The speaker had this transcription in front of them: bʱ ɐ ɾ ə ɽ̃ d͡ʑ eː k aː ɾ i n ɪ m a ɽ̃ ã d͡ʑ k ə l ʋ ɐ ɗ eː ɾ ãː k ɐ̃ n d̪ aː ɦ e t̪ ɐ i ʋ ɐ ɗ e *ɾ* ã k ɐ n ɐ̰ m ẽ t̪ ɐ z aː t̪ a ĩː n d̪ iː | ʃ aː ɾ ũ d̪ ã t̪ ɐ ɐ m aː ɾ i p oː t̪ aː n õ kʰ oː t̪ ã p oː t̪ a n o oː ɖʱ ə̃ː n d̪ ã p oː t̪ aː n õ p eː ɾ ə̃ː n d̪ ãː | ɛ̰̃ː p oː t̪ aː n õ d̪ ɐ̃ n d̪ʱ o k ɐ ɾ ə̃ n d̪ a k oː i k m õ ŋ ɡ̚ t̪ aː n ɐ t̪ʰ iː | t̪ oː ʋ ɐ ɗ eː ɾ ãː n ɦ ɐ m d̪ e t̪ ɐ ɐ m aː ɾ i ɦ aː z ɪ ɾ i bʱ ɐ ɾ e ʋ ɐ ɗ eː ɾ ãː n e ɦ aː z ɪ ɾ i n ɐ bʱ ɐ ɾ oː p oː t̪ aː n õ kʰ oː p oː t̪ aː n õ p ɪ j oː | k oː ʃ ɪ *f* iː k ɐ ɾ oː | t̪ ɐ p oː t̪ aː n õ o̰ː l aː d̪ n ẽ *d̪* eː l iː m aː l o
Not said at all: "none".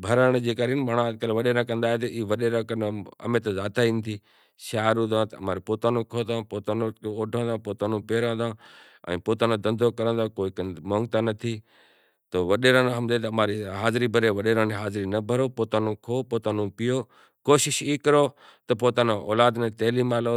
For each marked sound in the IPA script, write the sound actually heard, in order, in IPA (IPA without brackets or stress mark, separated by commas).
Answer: ɾ, ʃ, t̪